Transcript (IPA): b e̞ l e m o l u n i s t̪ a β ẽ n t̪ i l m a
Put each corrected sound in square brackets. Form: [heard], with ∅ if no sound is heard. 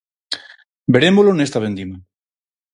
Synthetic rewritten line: b e̞ [ɾ] e m o l [o] n [e] s t̪ a β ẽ n [d̪] i [∅] m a